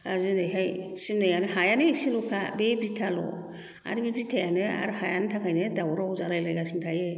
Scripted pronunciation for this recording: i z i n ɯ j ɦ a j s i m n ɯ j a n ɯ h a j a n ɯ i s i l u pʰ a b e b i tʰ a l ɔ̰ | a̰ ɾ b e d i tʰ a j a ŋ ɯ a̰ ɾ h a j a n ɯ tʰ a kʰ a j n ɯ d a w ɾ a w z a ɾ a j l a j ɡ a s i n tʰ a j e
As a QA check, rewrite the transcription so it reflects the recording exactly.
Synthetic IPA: a z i n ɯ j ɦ a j s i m n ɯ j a n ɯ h a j a n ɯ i s i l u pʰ a b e b i tʰ a l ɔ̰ | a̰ ɾ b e b i tʰ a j a n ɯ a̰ ɾ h a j a n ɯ tʰ a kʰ a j n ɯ d a w ɾ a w z a ɾ a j l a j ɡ a s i n tʰ a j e